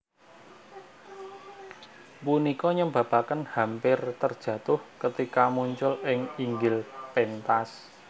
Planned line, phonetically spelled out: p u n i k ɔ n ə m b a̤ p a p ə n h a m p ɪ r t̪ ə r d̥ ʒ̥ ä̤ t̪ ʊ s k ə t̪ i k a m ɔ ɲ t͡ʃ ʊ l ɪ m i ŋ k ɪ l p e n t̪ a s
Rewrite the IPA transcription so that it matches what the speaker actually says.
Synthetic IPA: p u n i k ɔ ɲ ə m b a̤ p a k ə n h a m p ɪ r t̪ ə r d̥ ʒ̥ ä̤ t̪ ʊ h k ə t̪ i k a m u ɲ t͡ʃ ʊ l ɪ ŋ i ŋ ɡ ɪ l p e n t̪ a s